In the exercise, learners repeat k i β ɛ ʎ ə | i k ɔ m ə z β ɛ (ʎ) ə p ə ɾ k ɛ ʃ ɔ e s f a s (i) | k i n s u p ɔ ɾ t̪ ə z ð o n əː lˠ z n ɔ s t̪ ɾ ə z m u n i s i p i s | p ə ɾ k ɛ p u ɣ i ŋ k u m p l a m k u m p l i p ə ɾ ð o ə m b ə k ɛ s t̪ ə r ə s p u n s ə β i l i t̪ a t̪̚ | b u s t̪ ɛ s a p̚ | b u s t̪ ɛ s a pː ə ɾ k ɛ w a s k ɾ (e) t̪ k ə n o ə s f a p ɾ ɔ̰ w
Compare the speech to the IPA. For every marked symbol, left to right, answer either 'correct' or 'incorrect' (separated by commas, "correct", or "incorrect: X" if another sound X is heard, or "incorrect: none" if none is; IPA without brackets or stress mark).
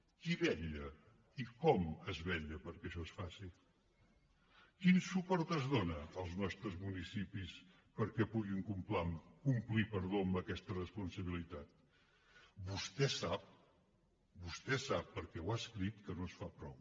correct, correct, incorrect: i